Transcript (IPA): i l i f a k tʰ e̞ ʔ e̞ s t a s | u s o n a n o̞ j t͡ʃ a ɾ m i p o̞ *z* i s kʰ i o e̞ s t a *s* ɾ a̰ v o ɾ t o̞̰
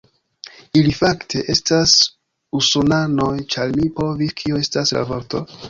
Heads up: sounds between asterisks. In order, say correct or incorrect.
incorrect: v, correct

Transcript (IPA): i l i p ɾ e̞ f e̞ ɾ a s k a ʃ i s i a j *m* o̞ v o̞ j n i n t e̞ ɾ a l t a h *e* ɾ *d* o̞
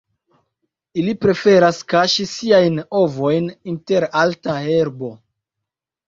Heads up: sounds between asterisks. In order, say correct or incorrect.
incorrect: n, correct, incorrect: b

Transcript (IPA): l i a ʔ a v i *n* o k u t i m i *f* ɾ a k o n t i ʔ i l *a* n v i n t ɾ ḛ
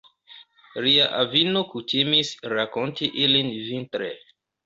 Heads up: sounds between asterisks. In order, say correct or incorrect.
correct, incorrect: s, incorrect: i

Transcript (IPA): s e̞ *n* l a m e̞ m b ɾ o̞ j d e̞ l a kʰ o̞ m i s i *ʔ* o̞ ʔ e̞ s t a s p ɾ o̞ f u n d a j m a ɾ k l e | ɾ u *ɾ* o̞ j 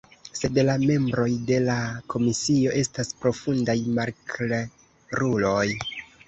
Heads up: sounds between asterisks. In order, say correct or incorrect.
incorrect: d, incorrect: none, incorrect: l

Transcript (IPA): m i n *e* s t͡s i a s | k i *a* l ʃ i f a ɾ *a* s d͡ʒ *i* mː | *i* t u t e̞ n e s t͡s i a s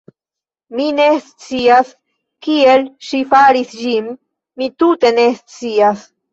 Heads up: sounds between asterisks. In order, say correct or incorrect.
correct, incorrect: e, incorrect: i, correct, correct

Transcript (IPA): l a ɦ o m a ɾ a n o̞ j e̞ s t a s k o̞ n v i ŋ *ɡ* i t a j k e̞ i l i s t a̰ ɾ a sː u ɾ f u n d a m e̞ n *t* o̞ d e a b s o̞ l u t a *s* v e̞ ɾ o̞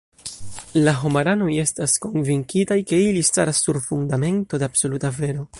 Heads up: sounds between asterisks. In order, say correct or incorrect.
incorrect: k, correct, incorrect: none

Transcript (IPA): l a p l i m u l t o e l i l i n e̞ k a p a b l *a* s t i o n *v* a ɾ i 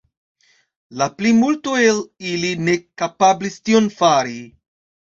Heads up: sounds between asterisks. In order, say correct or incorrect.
incorrect: i, incorrect: f

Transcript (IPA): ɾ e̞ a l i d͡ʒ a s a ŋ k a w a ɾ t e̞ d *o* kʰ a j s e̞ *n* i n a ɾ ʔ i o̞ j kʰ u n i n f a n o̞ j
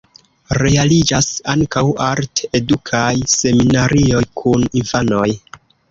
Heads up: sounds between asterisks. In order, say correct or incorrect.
incorrect: u, incorrect: m

